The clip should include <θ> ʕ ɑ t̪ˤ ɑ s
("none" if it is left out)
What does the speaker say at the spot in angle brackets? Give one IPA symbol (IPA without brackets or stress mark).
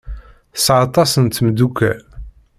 s